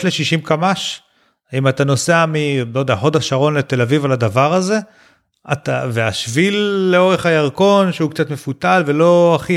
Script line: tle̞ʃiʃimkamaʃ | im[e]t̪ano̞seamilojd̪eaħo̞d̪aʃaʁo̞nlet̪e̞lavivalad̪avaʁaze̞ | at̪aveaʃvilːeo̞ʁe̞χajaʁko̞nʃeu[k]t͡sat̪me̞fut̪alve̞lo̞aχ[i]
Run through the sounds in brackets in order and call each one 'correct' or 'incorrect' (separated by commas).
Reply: incorrect, correct, correct